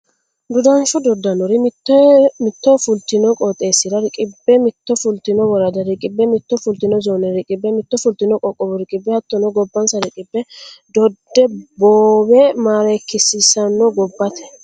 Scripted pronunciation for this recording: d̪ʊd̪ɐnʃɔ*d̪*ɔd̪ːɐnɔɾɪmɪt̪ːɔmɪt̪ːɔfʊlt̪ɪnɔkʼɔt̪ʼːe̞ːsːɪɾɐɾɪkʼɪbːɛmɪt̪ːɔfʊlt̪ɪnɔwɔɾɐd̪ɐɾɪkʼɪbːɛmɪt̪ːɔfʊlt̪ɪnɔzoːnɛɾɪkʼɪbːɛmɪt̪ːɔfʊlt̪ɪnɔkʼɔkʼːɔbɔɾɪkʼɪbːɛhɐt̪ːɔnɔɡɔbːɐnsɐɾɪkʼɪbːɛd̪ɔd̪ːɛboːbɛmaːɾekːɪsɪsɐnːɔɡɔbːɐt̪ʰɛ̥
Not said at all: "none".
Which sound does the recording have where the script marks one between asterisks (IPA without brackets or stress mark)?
d̪